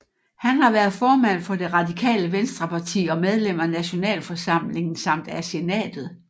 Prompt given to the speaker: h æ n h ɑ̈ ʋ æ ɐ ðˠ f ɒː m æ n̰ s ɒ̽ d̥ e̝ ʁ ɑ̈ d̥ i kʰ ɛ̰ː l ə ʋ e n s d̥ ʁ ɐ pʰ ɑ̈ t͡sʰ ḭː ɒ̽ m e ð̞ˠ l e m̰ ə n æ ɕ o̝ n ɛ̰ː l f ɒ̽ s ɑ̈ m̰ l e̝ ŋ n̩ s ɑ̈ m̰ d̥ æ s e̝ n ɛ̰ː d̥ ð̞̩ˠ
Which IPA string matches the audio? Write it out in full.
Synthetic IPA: h æ n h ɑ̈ ʋ æ ɐ ðˠ f ɒː m æ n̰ f ɒ̽ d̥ e̝ ʁ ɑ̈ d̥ i kʰ ɛ̰ː l ə ʋ e n s d̥ ʁ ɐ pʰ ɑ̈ t͡sʰ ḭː ɒ̽ m e ð̞ˠ l e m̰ ɐ n æ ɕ o̝ n ɛ̰ː l f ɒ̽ s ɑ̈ m̰ l e̝ ŋ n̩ s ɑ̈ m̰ d̥ æ s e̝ n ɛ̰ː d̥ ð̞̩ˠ

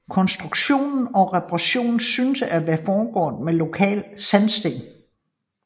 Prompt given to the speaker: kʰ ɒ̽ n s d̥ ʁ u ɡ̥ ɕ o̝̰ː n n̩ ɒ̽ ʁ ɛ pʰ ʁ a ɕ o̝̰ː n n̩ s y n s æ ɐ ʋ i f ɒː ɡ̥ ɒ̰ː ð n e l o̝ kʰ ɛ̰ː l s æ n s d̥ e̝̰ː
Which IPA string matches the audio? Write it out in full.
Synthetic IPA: kʰ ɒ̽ n s d̥ ʁ u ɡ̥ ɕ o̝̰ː n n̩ ɒ̽ ʁ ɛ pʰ ʁ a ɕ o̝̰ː n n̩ s y n s æ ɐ ʋ æ f ɒː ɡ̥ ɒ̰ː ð m e l o̝ kʰ ɛ̰ː l s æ n s d̥ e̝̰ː

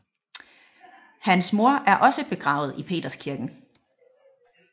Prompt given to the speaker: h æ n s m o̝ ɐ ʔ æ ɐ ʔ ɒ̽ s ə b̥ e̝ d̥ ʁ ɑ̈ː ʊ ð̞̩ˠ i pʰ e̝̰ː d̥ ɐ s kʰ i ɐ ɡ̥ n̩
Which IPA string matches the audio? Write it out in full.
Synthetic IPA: h æ n s m o̝ ɐ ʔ æ ɐ ʔ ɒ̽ s ə b̥ e̝ ɡ̥ ʁ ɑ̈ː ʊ ð̞̩ˠ i pʰ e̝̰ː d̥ ɐ s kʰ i ɐ ɡ̥ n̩

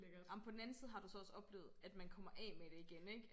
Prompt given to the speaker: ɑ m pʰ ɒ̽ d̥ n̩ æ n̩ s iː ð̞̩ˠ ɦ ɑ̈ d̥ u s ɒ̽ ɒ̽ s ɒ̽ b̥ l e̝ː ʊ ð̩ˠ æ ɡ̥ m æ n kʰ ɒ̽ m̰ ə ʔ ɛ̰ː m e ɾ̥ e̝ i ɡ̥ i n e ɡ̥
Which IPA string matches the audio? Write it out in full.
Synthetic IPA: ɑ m pʰ ɒ̽ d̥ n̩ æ n̩ s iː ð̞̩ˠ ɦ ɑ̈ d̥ u s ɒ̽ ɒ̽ s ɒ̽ b̥ l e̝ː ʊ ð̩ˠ æ d̥ m æ n kʰ ɒ̽ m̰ ɐ ʔ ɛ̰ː m e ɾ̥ e̝ i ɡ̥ e n e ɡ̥

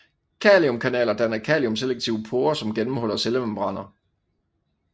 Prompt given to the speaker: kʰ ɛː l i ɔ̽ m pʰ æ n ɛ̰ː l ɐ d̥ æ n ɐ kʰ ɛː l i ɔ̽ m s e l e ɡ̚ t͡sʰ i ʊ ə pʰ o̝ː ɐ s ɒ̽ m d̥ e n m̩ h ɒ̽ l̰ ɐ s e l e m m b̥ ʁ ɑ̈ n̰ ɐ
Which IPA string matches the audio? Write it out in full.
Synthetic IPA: kʰ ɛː l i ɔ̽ m kʰ æ n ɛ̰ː l ɐ d̥ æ n ɐ kʰ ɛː l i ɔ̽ m s e l e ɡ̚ t͡sʰ i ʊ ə pʰ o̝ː ɐ s ɒ̽ m ɡ̥ e n m̩ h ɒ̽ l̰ ɐ s e l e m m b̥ ʁ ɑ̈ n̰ ɐ

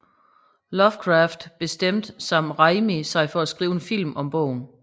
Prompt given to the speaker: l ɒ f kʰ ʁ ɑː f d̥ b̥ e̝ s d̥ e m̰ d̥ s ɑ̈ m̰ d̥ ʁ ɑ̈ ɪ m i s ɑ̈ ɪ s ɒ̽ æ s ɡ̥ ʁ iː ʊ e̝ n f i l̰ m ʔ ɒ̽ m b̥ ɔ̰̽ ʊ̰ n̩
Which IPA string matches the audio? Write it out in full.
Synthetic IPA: l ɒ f kʰ ʁ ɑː f d̥ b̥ e̝ s d̥ e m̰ d̥ s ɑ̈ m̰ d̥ ʁ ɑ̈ ɪ m i s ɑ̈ ɪ f ɒ̽ æ s ɡ̥ ʁ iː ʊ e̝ n f i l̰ m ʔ ɒ̽ m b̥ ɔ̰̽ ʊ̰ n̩

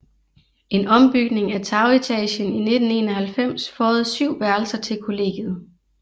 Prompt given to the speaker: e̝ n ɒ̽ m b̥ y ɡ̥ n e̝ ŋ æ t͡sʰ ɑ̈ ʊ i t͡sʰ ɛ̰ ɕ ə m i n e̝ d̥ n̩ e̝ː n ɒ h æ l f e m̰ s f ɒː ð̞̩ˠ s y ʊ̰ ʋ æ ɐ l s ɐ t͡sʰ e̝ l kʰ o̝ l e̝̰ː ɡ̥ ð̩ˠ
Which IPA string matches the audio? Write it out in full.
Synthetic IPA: e̝ n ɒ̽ m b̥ y ɡ̥ n e̝ ŋ æ t͡sʰ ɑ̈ ʊ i t͡sʰ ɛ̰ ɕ ə n i n e̝ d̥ n̩ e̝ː n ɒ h æ l f e m̰ s f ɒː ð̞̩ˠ s y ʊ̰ ʋ æ ɐ l s ɐ t͡sʰ e̝ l kʰ o̝ l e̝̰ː ɡ̥ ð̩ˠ

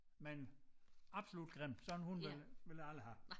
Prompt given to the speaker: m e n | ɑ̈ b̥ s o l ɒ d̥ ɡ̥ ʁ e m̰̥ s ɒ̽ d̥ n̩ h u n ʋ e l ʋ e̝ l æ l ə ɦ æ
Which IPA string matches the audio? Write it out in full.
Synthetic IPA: m e n | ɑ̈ b̥ s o l u d̥ ɡ̥ ʁ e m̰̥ s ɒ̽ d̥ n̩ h u n ʋ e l ʋ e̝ l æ l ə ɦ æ

